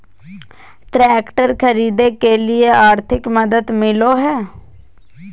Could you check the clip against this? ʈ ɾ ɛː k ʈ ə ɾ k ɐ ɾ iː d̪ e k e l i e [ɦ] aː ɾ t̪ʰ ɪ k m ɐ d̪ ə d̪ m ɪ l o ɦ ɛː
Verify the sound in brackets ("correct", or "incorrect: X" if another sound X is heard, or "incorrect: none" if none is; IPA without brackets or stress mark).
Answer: incorrect: none